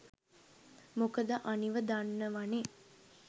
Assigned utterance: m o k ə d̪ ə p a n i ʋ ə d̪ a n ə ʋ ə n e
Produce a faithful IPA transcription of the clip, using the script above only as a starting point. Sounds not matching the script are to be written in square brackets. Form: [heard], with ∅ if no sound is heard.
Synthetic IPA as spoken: m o k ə d̪ ə [ʔ] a n i ʋ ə d̪ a [nː] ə ʋ [a] n e